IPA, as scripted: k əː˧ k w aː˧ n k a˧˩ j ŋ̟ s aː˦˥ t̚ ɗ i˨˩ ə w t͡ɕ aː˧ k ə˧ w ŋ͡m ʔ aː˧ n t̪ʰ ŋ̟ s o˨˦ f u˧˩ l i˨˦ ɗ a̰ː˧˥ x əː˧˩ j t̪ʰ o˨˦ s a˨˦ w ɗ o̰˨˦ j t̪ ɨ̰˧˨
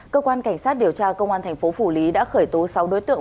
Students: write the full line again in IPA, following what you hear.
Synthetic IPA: k əː˧ k w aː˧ n k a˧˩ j ŋ̟ s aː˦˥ t̚ ɗ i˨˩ ə w t͡ɕ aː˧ k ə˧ w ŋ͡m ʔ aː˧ n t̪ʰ ŋ̟ f o˨˦ f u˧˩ l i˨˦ ɗ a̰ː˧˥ x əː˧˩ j t̪ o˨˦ s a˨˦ w ɗ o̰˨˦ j t̪ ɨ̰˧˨